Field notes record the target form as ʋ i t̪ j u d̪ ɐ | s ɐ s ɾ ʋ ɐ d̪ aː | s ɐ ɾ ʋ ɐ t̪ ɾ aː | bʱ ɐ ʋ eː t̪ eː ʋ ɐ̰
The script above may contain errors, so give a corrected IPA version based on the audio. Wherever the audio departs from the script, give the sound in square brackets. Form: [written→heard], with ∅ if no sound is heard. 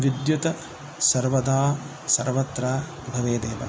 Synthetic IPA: ʋ i [t̪→d̪] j u [d̪→t̪] ɐ | s ɐ [s→∅] ɾ ʋ ɐ d̪ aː | s ɐ ɾ ʋ ɐ t̪ ɾ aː | bʱ ɐ ʋ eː [t̪→d̪] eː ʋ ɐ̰